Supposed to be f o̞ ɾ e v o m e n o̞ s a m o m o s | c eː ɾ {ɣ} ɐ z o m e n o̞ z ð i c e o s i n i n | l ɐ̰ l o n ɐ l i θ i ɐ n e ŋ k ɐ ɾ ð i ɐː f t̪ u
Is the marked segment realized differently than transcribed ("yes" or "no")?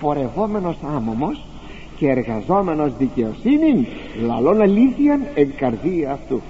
no